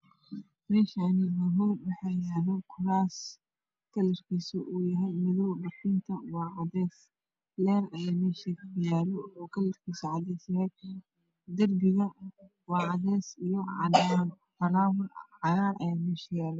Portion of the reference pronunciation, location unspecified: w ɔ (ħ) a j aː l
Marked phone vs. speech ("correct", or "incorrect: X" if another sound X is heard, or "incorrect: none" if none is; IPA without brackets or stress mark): correct